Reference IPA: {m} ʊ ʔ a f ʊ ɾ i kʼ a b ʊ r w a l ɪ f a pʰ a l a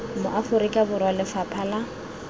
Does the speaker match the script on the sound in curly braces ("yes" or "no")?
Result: yes